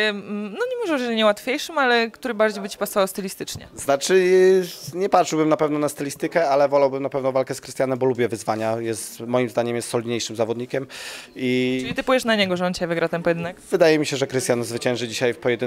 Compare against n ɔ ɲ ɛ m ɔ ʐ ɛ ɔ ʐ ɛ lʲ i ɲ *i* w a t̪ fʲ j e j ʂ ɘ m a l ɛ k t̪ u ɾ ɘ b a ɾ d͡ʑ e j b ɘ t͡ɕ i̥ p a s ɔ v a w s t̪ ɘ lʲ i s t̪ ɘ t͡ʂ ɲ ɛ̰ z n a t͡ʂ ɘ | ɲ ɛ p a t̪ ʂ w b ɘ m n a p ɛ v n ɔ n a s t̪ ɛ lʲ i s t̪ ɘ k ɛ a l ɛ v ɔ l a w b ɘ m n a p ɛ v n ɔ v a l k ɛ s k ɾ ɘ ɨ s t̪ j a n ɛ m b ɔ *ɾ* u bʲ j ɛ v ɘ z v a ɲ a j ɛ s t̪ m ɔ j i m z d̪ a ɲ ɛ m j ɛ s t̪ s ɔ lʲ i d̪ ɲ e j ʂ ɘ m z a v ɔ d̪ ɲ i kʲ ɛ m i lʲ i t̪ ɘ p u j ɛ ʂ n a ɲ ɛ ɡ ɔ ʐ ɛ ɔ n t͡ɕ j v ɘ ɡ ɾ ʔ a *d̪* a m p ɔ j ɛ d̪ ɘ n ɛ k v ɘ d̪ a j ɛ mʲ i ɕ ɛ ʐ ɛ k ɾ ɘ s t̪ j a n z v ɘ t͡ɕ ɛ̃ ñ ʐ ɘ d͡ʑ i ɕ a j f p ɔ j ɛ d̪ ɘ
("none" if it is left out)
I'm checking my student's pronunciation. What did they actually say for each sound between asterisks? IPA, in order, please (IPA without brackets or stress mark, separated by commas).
ɛ, l, t̪